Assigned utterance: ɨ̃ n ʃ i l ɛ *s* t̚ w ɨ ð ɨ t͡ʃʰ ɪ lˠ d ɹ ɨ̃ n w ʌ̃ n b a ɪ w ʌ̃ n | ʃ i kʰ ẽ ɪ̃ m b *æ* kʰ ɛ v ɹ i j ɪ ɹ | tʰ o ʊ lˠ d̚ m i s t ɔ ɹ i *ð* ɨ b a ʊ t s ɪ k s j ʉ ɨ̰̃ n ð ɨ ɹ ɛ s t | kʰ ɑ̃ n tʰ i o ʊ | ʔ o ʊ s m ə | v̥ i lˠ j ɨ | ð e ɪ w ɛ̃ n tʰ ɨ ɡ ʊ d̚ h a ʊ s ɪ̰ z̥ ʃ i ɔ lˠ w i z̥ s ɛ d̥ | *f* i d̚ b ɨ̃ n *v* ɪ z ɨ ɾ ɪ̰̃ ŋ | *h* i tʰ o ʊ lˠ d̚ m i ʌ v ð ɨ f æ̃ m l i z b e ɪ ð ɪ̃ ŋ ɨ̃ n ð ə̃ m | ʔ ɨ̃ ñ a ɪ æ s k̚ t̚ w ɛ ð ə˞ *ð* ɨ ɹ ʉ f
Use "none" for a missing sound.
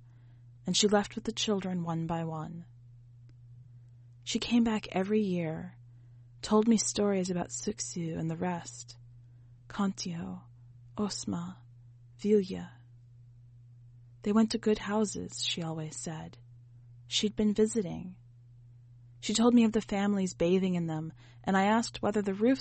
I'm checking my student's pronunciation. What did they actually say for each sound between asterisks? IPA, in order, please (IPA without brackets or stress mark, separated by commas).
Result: f, æ, z, ʃ, v, ʃ, ð